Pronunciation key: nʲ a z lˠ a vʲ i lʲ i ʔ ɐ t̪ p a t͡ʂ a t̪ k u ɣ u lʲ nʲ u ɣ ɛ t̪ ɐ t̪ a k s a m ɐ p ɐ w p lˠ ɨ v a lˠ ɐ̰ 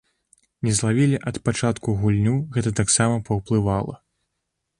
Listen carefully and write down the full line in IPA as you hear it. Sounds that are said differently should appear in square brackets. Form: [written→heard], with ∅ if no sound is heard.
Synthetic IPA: nʲ [a→ɛ] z lˠ a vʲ i lʲ i ʔ ɐ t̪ p a t͡ʂ a t̪ k u ɣ u lʲ nʲ u ɣ ɛ t̪ ɐ t̪ a k s a m ɐ p ɐ w p lˠ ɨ v a lˠ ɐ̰